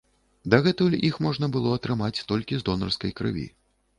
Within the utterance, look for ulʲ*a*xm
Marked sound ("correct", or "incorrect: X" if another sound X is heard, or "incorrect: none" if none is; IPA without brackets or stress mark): incorrect: i